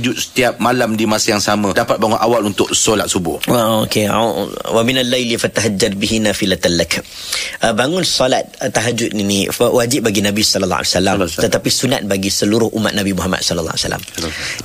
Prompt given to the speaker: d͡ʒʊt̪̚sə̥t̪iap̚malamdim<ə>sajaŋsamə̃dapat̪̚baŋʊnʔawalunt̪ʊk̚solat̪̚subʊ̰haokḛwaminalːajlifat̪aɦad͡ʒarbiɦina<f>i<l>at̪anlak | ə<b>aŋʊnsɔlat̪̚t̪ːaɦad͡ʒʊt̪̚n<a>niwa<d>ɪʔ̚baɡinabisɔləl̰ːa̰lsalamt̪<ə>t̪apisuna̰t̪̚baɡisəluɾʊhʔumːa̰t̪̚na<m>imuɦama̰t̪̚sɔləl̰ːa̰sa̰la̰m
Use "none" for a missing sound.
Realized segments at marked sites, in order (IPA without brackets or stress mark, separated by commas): a, f, l, b, i, d͡ʒ, ə, b